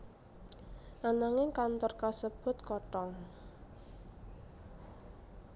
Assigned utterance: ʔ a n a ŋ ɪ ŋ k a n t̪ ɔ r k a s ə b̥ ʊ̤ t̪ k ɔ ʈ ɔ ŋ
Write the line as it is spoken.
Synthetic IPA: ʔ a n a ŋ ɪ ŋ k a n t̪ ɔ r k a s ə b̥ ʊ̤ t̪ k ɔ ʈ ɔ ŋ